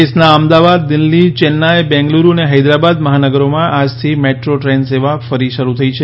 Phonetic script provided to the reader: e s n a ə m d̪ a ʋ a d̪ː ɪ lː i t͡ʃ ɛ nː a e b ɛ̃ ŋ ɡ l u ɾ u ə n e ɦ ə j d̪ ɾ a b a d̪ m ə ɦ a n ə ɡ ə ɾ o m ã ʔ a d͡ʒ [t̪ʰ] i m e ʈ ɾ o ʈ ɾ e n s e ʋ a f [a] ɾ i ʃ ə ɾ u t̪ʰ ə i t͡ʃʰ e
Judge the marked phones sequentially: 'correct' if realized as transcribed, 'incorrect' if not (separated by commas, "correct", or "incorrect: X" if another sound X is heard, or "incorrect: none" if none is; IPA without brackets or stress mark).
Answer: correct, incorrect: ə